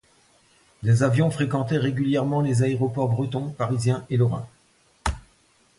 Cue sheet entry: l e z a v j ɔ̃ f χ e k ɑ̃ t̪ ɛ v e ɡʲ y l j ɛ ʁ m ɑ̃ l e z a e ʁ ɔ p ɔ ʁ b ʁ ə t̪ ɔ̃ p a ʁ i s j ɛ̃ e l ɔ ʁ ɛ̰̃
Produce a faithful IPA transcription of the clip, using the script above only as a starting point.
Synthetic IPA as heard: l e z a v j ɔ̃ f χ e k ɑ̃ t̪ ɛ ʁ e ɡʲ y l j ɛ ʁ m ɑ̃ l e z a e ʁ ɔ p ɔ ʁ b ʁ ə t̪ ɔ̃ p a ʁ i z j ɛ̃ e l ɔ ʁ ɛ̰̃